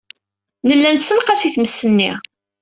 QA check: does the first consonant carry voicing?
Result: yes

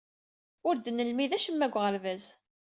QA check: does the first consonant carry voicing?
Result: yes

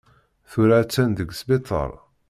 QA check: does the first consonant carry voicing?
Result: no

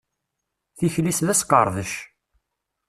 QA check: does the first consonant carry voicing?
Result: no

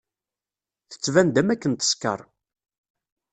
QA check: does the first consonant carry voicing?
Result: no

